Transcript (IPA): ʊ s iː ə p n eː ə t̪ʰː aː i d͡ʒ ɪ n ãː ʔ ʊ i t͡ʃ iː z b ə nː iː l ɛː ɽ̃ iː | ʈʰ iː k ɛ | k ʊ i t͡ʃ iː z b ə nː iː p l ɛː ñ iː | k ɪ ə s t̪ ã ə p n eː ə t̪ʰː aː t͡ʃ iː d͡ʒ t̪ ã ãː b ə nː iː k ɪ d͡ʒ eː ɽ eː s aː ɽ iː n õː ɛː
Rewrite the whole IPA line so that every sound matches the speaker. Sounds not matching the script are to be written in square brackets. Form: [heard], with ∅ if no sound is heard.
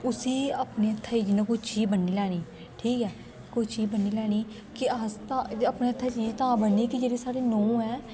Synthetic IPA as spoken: ʊ s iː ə p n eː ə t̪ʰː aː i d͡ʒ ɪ n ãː [k] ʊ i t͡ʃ iː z b ə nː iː l ɛː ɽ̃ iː | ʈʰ iː k [ɛː] | k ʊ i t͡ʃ iː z b ə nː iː [∅] l ɛː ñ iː | k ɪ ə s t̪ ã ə p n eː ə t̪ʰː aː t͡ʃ iː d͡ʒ t̪ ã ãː b ə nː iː k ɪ d͡ʒ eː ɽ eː s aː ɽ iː n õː ɛː